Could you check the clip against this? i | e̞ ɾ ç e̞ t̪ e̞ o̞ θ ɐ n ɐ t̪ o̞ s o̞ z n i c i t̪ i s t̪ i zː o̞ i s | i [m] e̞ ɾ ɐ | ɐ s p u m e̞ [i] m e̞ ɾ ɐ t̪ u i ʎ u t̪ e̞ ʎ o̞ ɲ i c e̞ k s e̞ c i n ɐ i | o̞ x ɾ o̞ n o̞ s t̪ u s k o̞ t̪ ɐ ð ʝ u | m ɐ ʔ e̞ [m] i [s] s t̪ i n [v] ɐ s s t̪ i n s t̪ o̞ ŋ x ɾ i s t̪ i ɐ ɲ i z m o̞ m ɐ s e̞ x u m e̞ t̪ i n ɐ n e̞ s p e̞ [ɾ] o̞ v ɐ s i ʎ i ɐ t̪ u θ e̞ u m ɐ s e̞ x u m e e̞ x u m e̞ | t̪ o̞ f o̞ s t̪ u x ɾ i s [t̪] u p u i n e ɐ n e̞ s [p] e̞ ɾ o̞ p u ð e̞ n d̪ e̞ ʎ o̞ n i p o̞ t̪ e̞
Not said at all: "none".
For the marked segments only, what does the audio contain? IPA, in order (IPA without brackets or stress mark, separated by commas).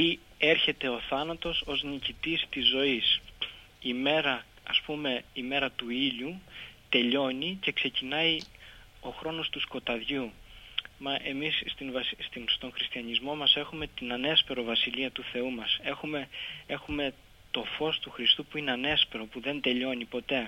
m, i, m, s, v, ɾ, t̪, p